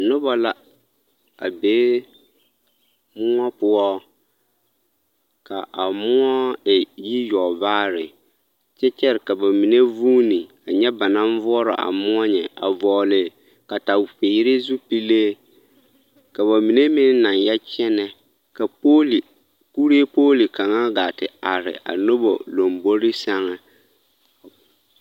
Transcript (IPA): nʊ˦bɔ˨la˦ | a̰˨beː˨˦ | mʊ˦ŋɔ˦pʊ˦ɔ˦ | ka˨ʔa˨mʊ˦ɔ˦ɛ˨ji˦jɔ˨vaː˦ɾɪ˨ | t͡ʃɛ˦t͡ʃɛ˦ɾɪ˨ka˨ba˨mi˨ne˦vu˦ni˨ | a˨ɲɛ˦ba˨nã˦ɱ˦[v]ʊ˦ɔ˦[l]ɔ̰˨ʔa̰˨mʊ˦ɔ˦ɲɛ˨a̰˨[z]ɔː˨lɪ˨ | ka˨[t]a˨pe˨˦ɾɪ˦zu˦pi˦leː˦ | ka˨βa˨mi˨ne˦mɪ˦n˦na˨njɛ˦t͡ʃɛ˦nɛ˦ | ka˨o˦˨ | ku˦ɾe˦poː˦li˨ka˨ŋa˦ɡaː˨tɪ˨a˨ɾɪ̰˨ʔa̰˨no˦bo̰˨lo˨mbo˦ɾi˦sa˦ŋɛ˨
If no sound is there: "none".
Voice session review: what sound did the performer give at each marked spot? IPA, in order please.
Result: v, ɾ, v, t

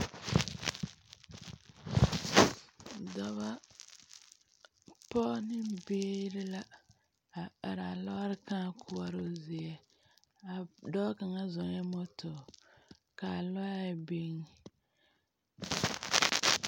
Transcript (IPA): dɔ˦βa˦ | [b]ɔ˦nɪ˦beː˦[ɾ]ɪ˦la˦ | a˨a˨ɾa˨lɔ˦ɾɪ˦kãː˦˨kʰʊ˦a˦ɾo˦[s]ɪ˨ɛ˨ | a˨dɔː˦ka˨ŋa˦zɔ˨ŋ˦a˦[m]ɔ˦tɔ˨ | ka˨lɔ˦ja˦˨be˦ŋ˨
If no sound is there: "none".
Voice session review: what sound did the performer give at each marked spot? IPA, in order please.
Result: p, ɾ, z, m

